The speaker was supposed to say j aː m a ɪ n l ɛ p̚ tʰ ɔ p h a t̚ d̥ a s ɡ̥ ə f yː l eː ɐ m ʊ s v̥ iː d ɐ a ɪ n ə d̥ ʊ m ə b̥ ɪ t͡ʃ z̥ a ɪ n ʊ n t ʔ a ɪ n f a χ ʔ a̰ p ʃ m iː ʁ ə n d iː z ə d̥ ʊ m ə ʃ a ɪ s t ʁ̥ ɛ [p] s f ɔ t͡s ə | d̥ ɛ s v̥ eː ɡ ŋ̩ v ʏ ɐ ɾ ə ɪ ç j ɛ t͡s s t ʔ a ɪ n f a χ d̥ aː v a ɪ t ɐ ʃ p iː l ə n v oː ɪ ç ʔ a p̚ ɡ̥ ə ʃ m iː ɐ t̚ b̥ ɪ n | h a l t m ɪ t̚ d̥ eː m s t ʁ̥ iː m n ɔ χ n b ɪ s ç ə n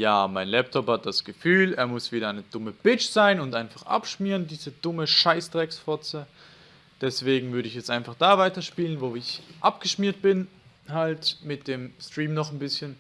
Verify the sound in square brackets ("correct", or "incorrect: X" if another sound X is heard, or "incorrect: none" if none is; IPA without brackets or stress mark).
incorrect: k